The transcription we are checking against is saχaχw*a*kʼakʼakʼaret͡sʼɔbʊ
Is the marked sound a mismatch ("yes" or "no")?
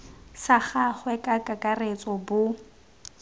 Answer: yes